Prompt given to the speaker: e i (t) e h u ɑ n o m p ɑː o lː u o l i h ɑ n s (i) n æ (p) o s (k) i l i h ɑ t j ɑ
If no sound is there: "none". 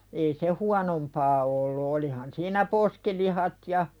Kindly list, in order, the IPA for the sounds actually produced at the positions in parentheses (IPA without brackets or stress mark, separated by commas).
s, iː, p, k